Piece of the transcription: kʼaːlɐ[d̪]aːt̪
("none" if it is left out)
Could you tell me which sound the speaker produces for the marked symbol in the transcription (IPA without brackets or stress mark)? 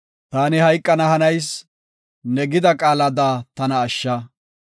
d̪